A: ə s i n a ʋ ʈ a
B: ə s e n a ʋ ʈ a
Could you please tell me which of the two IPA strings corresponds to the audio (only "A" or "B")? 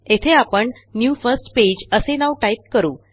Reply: B